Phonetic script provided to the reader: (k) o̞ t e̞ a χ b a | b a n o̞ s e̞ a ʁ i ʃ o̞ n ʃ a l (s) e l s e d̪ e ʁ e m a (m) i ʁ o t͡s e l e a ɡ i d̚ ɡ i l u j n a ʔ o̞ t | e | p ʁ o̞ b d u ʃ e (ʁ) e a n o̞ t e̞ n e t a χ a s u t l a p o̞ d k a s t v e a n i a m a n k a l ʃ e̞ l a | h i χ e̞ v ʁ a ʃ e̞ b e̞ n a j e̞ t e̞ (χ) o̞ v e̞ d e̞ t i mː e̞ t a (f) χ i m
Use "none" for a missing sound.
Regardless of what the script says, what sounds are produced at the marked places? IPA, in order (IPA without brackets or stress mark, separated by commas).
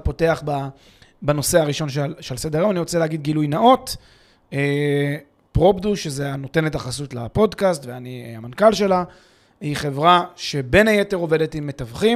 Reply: p, ʃ, n, z, ʁ, v